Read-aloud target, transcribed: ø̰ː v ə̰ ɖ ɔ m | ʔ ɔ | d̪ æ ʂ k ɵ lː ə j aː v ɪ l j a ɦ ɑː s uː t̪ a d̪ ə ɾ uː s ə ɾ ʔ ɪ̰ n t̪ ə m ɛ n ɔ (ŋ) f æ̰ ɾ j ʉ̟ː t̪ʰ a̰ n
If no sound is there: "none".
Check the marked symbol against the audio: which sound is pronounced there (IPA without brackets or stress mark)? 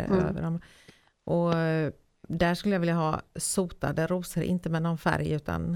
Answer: n